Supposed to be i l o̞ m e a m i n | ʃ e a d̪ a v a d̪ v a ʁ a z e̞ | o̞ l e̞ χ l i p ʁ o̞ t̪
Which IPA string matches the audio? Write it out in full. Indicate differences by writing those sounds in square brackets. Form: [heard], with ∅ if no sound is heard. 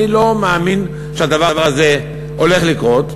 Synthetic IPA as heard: i l o̞ m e a m i n | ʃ e a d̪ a v a [∅] v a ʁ a z e̞ | o̞ l e̞ χ l i [k] ʁ o̞ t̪